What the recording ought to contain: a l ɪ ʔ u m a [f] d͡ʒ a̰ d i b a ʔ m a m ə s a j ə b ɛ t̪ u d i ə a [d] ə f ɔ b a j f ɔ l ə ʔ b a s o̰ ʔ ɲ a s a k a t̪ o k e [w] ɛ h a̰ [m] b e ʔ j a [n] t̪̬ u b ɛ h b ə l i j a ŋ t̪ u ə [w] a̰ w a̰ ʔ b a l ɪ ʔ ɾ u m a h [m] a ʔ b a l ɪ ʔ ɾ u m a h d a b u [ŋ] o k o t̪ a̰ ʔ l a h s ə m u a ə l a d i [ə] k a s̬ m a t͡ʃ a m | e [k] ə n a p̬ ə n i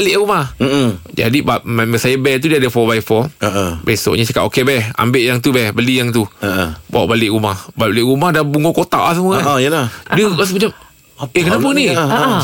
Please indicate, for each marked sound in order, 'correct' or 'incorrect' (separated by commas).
incorrect, correct, incorrect, correct, incorrect, incorrect, incorrect, correct, correct, correct